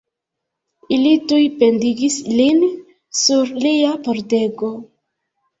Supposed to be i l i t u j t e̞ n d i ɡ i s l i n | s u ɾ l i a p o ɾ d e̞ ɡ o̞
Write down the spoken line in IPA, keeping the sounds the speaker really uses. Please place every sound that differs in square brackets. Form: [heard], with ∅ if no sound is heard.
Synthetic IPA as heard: i l i t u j [p] e̞ n d i ɡ i s l i n | s u ɾ l i a p o ɾ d e̞ ɡ o̞